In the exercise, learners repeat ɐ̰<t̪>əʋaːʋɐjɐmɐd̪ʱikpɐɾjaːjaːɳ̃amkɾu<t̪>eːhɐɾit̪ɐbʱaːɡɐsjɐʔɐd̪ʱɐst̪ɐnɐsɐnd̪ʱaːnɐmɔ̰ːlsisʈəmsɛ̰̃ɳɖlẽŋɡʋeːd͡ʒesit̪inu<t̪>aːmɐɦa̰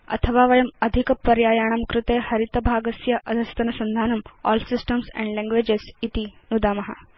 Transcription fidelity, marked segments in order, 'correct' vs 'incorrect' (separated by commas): incorrect, correct, incorrect